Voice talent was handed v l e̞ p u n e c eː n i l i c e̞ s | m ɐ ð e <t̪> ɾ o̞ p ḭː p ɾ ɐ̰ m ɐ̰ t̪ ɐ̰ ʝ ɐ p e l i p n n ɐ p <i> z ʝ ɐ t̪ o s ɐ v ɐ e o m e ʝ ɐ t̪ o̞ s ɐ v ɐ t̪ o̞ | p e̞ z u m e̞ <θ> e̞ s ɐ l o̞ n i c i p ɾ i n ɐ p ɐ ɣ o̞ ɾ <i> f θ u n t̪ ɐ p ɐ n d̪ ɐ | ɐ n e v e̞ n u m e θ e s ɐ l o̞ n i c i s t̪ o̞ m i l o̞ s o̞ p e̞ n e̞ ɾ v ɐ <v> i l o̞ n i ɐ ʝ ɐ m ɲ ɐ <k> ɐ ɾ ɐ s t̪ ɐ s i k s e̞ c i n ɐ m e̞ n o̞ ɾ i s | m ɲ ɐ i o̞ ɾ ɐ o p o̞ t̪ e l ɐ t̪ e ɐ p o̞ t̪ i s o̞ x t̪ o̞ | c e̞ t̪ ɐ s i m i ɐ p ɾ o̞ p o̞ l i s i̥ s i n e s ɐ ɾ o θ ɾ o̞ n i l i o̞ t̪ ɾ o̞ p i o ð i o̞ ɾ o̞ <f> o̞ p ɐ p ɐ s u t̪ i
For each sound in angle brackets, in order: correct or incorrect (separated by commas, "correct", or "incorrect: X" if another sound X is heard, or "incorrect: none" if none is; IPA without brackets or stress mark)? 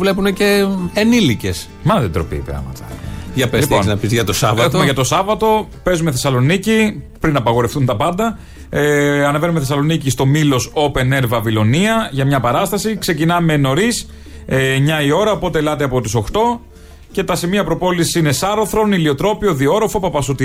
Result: incorrect: d̪, correct, correct, incorrect: e, correct, incorrect: p, correct